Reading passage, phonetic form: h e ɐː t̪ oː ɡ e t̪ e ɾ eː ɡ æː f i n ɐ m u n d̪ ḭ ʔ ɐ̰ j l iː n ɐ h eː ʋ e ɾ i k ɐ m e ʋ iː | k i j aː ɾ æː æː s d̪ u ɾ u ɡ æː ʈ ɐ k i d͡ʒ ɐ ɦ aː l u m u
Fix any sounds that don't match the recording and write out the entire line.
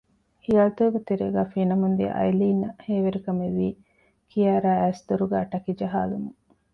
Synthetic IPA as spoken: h i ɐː t̪ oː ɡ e t̪ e ɾ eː ɡ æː f i n ɐ m u n d̪ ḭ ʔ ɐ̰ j l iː n ɐ h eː ʋ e ɾ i k ɐ m e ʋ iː | k i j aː ɾ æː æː s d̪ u ɾ u ɡ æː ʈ ɐ k i d͡ʒ ɐ ɦ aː l u m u